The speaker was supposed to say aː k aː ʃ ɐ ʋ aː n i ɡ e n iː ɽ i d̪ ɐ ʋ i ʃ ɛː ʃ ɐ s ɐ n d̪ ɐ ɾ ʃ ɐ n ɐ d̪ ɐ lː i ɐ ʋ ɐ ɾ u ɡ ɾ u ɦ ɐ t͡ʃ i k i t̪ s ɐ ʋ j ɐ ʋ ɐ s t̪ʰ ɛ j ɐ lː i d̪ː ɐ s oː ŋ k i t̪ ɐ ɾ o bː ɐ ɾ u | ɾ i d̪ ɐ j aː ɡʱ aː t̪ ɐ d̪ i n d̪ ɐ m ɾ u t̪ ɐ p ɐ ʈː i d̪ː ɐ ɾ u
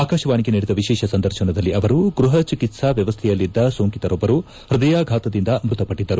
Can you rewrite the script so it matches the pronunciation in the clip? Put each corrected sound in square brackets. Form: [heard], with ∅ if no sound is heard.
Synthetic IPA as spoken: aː k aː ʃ ɐ ʋ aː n i ɡ e n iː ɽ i d̪ ɐ ʋ i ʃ ɛː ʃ ɐ s ɐ n d̪ ɐ ɾ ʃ ɐ n ɐ d̪ ɐ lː i ɐ ʋ ɐ ɾ u ɡ ɾ u ɦ ɐ t͡ʃ i k i t̪ s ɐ ʋ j ɐ ʋ ɐ s t̪ʰ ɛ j ɐ lː i d̪ː ɐ s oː ŋ k i t̪ ɐ ɾ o bː ɐ ɾ u | ɾ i d̪ ɐ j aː ɡʱ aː t̪ ɐ d̪ i n d̪ ɐ m ɾ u t̪ ɐ p ɐ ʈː i d̪ː ɐ ɾ u